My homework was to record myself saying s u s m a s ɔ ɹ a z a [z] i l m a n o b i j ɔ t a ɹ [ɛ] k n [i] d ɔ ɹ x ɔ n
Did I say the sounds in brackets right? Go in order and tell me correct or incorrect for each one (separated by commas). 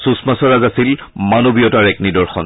incorrect, correct, correct